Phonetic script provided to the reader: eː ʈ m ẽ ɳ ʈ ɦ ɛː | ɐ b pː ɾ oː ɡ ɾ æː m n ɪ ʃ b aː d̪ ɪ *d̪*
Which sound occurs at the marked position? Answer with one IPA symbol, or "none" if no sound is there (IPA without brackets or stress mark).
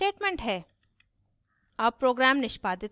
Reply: t̪